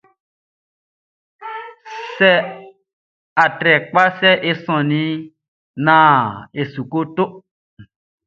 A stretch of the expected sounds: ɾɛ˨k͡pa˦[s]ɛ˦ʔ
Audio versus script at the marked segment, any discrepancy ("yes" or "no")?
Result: no